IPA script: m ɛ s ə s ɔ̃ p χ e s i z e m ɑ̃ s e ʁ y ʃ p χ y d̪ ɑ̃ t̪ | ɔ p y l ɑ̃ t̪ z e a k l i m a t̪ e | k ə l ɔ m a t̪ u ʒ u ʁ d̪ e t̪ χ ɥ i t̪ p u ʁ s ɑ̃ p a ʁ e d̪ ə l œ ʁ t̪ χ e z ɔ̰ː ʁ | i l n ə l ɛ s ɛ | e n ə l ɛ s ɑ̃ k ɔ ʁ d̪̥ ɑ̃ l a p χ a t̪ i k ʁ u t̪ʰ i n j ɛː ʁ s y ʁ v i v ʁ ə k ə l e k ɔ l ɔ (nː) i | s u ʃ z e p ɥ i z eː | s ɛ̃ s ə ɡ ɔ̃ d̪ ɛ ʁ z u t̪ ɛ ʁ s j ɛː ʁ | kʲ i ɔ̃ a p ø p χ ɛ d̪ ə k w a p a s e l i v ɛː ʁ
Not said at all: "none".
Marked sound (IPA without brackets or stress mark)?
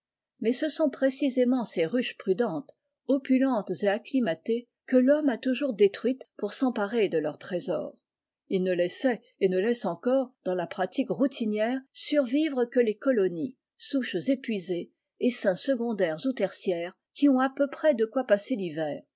n